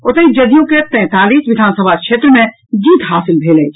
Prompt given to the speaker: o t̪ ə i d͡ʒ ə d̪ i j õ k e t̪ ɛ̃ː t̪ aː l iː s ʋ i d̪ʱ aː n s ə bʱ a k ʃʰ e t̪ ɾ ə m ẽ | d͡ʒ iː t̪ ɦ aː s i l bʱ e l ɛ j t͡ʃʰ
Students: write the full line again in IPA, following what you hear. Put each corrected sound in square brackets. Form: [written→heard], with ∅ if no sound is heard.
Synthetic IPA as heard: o t̪ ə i d͡ʒ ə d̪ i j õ k e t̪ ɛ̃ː t̪ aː l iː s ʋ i d̪ʱ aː n s ə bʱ a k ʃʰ e t̪ ɾ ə m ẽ | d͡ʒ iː t̪ ɦ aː s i l bʱ e l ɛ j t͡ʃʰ